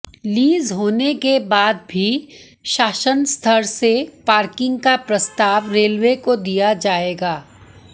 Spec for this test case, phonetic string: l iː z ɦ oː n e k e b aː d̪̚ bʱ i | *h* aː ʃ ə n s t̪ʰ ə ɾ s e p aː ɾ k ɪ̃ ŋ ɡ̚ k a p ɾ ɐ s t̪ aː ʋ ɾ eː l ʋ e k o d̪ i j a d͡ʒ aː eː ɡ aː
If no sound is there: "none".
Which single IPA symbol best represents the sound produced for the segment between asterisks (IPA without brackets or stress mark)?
ʃ